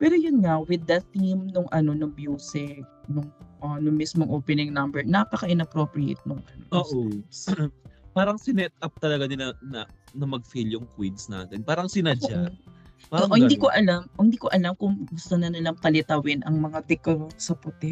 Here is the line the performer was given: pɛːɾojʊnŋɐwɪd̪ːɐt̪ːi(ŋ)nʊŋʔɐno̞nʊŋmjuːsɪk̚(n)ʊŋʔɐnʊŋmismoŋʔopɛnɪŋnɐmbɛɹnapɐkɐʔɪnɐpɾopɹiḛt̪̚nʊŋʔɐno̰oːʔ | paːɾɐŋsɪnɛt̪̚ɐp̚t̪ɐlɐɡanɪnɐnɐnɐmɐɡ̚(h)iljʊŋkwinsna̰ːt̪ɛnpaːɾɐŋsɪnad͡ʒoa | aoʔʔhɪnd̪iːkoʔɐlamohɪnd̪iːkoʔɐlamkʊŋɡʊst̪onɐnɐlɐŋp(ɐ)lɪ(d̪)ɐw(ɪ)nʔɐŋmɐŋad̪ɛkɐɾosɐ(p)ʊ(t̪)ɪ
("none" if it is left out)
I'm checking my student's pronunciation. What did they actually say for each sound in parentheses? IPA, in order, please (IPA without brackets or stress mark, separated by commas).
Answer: m, n, f, ɐ, t̪, ɪ, p, t̪